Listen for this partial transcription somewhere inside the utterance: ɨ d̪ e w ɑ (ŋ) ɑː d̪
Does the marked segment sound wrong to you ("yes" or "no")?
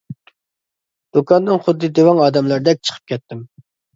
no